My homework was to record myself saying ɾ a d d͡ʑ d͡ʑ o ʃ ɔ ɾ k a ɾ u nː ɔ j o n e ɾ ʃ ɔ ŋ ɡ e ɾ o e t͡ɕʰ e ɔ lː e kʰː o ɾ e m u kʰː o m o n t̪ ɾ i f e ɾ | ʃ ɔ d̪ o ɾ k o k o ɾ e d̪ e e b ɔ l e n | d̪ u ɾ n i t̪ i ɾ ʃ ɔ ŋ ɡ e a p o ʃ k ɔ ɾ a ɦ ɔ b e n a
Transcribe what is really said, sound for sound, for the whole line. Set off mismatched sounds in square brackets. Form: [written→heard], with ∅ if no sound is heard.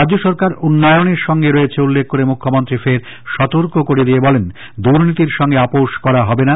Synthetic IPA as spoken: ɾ a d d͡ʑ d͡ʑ o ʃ ɔ ɾ k a ɾ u nː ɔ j o n e ɾ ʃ ɔ ŋ ɡ e ɾ o e t͡ɕʰ e [ɔ→u] lː e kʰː o ɾ e m u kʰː o m o n t̪ ɾ i f e ɾ | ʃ ɔ [d̪→t̪] o ɾ k o k o ɾ e d̪ [e→i] e b ɔ l e n | d̪ u ɾ n i t̪ i ɾ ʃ ɔ ŋ ɡ e a p o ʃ k ɔ ɾ a ɦ ɔ b e n a